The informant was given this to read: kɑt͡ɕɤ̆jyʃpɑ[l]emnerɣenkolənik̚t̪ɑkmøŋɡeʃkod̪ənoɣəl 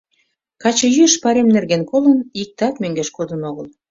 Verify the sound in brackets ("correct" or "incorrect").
incorrect